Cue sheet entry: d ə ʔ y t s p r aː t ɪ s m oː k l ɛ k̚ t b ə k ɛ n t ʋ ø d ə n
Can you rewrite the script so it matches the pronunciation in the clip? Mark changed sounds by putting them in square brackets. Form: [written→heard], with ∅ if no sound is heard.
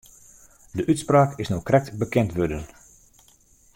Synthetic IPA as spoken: d ə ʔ y t s p r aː [t→k] ɪ s [m→n] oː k [l→r] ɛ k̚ t b ə k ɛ n t ʋ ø d ə n